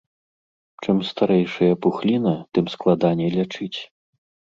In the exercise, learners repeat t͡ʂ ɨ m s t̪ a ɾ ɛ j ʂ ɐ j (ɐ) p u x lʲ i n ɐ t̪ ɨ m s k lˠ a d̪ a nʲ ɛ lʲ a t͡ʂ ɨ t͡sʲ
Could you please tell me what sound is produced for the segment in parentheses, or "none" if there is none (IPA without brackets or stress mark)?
ɐ